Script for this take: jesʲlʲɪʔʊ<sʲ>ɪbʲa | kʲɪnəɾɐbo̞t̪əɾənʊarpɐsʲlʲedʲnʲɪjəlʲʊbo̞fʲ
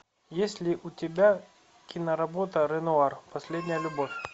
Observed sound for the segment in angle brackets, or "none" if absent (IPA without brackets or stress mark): tʲ